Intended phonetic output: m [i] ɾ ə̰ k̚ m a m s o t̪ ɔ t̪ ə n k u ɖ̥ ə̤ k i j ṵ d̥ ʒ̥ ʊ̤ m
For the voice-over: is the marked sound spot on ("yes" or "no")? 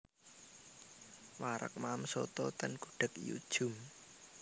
no